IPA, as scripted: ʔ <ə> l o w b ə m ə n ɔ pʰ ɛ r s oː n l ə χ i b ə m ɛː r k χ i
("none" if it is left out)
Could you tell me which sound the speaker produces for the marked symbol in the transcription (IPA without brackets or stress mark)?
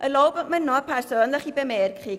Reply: ə